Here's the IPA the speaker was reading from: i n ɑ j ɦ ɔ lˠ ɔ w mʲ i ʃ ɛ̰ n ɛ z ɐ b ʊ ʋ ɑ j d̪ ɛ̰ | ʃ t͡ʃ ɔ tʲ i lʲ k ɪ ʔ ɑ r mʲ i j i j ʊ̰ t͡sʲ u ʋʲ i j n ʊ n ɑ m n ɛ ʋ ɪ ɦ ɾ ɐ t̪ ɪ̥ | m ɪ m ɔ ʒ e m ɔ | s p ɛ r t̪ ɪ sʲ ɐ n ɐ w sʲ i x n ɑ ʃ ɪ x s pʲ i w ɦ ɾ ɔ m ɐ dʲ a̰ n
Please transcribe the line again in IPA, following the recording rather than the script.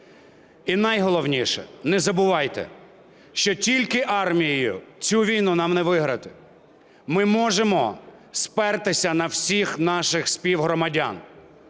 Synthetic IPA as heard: i n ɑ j ɦ ɔ lˠ ɔ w nʲ i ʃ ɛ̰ n ɛ z ɐ b ʊ ʋ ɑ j t̪ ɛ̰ | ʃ t͡ʃ ɔ tʲ i lʲ k ɪ ʔ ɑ r mʲ i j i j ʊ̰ t͡sʲ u ʋʲ i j n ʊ n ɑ m n ɛ ʋ ɪ ɦ ɾ ɐ t̪ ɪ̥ | m ɪ m ɔ ʒ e m ɔ | s p ɛ r t̪ ɪ sʲ ɐ n ɐ w sʲ i x n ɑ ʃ ɪ x s pʲ i w ɦ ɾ ɔ m ɐ dʲ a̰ n